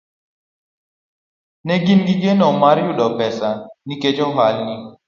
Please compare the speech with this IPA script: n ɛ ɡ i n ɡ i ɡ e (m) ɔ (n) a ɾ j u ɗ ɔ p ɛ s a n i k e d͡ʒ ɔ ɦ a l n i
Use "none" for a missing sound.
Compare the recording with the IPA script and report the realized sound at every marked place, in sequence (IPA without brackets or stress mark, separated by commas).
n, m